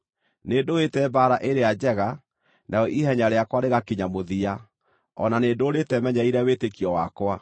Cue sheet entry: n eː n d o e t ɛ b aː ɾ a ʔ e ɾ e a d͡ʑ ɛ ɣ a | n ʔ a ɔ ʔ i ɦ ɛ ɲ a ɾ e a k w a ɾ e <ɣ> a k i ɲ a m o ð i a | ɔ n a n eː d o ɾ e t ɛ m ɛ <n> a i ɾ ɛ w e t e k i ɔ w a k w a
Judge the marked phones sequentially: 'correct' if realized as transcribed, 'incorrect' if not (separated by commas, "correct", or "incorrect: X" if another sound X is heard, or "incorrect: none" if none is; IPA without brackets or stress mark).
correct, incorrect: ɲ